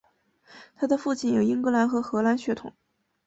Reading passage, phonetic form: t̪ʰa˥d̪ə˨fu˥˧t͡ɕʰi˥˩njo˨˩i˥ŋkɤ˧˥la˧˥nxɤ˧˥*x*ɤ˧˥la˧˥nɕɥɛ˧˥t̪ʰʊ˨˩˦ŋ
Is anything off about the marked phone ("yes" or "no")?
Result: no